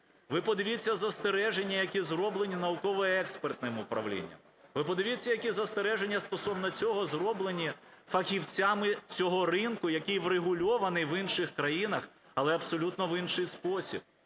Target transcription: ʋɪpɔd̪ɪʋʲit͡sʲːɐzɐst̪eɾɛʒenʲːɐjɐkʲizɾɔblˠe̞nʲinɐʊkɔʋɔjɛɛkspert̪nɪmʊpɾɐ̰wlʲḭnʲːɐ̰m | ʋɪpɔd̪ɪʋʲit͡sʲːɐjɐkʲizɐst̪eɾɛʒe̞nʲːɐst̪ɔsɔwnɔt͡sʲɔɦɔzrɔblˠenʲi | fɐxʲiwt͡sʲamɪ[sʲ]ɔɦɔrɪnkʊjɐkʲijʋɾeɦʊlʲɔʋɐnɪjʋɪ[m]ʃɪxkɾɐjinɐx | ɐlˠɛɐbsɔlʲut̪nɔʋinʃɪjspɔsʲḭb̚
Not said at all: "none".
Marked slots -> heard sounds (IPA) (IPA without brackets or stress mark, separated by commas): t͡sʲ, n